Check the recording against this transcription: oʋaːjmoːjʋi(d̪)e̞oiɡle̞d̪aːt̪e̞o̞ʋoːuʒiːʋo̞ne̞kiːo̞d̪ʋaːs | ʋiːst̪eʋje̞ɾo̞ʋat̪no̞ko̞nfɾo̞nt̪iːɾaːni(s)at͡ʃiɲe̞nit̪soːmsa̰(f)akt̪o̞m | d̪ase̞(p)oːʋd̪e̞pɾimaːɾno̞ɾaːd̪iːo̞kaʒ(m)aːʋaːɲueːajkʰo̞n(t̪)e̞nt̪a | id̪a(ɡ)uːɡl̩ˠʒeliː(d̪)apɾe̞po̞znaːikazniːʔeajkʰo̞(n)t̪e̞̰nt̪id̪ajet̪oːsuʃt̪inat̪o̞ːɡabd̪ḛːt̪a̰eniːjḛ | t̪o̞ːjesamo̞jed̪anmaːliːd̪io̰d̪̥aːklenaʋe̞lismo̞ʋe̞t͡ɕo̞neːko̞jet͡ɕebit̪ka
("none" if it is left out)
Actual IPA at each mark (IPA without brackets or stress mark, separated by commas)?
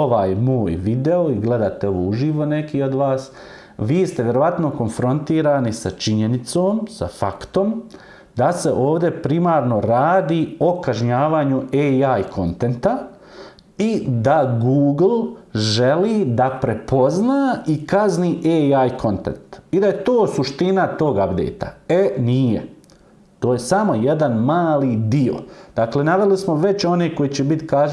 d̪, s, f, ʔ, ɲ, t̪, ɡ, d̪, n